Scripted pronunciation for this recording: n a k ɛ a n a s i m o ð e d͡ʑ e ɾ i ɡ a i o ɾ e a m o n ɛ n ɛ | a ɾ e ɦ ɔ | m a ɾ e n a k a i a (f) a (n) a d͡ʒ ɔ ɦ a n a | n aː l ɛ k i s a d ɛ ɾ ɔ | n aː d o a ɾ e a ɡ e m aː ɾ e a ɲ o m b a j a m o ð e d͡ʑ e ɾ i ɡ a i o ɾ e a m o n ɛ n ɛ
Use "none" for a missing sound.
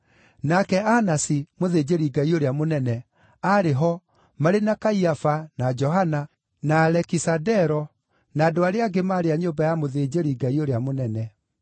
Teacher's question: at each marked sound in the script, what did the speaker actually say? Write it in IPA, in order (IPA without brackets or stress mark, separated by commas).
f, n